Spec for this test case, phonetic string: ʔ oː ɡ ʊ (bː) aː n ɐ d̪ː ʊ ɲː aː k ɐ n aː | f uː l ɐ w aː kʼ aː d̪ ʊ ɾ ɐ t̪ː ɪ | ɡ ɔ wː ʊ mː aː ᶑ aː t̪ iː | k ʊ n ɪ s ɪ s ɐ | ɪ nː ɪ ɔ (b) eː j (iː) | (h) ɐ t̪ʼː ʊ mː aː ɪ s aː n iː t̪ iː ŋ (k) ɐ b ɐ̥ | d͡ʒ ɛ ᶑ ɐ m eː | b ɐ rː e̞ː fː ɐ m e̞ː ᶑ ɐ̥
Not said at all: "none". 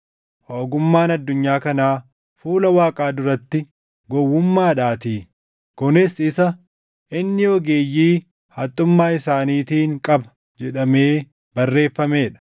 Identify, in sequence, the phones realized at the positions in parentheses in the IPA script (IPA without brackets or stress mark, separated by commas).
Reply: mː, ɡ, iː, h, kʼ